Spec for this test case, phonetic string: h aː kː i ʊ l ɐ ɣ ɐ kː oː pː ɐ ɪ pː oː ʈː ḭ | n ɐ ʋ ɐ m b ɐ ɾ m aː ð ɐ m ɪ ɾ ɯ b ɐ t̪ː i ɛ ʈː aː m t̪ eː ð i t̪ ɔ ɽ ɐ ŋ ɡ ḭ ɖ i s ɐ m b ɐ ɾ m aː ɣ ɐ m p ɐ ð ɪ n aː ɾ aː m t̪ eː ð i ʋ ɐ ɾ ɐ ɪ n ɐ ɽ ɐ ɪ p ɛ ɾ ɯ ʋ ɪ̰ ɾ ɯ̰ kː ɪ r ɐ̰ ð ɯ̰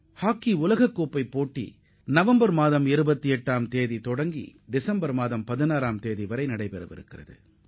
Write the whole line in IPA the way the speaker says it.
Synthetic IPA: h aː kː i ʊ l ɐ ɣ ɐ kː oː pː ɐ ɪ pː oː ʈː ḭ | n ɐ ʋ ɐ m b ɐ ɾ m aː ð ɐ m ɪ ɾ ɯ b ɐ t̪ː i ɛ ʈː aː m t̪ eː ð i t̪ ɔ ɽ ɐ ŋ ɡ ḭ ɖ ɪ s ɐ m b ɐ ɾ m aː ð ɐ m p ɐ ð ɪ n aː ɾ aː m t̪ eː ð i ʋ ɐ ɾ ɐ ɪ n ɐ ɽ ɐ ɪ p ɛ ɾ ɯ ʋ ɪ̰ ɾ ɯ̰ kː ɪ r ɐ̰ ð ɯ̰